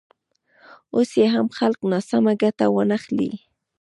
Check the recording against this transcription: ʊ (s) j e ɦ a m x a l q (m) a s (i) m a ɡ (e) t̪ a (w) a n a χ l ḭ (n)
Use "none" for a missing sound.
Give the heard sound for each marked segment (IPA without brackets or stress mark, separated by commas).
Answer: s, n, a, a, w, none